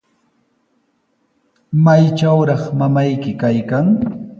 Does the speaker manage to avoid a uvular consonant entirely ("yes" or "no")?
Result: no